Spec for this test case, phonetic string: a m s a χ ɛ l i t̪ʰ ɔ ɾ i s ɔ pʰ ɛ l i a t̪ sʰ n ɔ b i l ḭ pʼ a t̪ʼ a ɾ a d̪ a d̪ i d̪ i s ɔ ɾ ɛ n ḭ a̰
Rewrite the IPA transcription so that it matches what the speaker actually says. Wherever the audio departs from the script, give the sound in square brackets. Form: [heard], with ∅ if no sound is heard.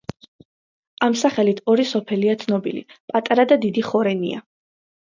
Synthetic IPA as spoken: a m s a χ ɛ l i t̪ʰ ɔ ɾ i s ɔ pʰ ɛ l i a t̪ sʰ n ɔ b i l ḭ pʼ a t̪ʼ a ɾ a d̪ a d̪ i d̪ i [χ] ɔ ɾ ɛ n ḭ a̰